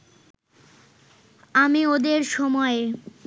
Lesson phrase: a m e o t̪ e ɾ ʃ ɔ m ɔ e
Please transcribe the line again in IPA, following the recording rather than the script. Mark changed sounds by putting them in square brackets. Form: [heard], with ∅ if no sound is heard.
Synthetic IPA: a m [i] o [d̪] e ɾ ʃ ɔ m ɔ e